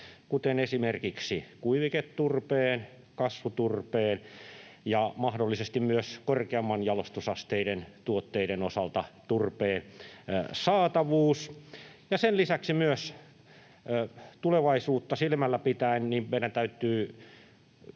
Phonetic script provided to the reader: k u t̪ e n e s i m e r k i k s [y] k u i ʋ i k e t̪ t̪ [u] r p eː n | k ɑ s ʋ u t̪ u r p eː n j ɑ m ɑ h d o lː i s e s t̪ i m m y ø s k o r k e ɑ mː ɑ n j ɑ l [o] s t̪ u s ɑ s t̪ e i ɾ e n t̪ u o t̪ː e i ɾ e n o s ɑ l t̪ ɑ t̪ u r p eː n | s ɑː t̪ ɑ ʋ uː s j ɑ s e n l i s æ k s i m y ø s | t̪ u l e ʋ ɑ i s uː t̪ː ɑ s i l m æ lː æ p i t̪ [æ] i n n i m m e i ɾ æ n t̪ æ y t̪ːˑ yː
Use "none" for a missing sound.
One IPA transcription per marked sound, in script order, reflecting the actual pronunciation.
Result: i, u, o, æ

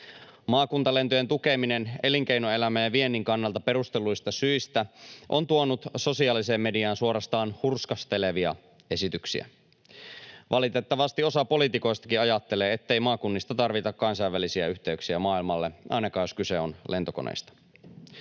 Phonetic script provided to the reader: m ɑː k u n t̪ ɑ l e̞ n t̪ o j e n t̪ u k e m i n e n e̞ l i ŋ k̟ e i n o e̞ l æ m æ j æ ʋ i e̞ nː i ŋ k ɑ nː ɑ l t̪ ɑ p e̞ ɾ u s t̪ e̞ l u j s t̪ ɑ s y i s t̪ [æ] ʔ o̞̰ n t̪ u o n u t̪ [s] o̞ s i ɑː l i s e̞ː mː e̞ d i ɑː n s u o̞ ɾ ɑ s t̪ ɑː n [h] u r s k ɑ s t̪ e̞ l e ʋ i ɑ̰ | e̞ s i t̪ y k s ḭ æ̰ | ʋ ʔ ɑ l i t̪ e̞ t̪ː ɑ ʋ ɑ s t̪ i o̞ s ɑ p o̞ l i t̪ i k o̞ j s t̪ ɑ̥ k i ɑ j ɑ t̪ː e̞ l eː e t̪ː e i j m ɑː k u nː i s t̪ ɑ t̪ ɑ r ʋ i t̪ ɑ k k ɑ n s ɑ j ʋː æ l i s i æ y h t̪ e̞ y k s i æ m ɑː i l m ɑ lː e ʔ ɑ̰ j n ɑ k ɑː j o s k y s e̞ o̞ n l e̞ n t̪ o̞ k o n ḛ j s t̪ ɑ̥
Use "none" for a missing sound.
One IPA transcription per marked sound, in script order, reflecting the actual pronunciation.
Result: æ, s, h

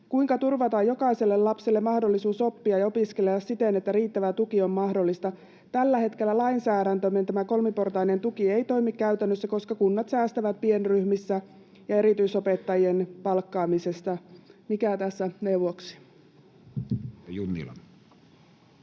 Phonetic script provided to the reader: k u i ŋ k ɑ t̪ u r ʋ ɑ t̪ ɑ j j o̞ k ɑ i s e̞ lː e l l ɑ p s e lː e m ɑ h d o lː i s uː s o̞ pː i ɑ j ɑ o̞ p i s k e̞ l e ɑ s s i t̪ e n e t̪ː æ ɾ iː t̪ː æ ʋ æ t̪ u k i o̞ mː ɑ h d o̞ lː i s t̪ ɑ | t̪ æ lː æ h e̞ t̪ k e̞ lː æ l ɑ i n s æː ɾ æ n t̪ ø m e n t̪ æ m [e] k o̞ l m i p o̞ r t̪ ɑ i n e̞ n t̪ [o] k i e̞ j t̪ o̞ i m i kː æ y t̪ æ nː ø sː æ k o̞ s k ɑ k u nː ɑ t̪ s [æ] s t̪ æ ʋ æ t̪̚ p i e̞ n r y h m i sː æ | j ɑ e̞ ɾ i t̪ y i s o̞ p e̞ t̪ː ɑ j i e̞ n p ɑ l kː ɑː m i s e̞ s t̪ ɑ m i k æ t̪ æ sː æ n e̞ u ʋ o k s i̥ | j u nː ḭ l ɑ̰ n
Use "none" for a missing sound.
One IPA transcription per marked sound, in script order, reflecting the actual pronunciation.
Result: æ, u, æː

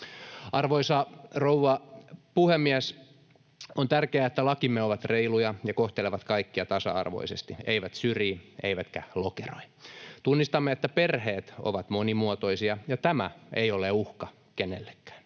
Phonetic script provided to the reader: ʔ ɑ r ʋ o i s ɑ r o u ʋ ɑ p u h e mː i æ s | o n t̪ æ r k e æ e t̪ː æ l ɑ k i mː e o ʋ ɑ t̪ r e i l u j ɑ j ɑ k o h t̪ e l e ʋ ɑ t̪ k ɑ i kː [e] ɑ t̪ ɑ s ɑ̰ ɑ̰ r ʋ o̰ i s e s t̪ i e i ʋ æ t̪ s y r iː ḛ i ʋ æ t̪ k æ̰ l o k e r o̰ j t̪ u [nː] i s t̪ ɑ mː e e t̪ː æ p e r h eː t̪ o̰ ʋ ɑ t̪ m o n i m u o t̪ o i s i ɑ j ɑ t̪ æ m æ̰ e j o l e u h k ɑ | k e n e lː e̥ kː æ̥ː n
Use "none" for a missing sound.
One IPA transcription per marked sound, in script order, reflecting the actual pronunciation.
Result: i, nː

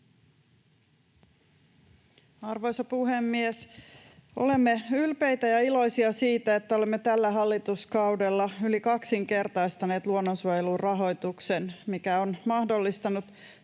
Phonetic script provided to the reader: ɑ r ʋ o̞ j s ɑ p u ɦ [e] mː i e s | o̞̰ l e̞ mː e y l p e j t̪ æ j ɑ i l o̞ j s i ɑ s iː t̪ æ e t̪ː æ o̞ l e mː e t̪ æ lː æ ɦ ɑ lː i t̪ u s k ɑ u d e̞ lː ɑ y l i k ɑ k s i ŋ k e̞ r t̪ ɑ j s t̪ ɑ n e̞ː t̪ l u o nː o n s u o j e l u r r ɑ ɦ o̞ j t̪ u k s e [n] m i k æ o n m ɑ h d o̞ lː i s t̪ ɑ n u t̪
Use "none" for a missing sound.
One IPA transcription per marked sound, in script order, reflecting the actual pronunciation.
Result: e, n

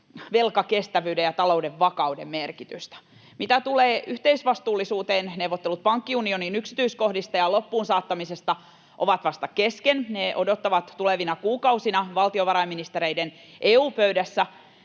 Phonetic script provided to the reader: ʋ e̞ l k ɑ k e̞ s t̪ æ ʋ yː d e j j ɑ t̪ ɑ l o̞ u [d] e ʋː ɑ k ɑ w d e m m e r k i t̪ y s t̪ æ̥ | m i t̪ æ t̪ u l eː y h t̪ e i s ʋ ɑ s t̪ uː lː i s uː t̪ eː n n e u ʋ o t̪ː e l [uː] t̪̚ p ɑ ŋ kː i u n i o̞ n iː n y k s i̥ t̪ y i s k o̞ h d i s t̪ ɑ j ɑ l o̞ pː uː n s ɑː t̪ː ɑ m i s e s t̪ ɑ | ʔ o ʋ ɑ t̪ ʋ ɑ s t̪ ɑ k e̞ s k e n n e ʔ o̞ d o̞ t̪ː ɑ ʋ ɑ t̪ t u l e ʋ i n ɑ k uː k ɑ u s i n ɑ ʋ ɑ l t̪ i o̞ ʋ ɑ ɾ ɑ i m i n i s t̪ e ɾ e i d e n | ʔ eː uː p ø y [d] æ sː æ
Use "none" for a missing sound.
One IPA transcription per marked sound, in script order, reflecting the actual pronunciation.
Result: d, u, d

